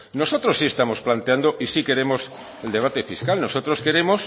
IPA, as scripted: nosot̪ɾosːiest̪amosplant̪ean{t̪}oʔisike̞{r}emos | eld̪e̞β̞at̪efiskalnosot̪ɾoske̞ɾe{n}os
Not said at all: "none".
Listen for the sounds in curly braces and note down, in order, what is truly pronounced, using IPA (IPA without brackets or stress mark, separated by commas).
d̪, ɾ, m